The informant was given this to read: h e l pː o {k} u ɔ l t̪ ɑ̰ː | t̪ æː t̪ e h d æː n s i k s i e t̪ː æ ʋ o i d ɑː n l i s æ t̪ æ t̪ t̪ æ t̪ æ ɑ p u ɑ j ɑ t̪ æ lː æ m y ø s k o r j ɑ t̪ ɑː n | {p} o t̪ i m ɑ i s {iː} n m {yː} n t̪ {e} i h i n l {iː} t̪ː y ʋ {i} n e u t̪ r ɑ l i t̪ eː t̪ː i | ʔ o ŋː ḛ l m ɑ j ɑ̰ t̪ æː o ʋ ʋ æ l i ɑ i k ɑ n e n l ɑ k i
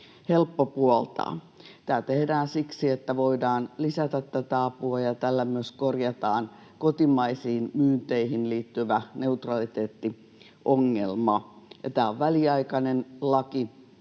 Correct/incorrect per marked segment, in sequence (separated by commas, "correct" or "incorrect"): incorrect, incorrect, correct, correct, correct, correct, incorrect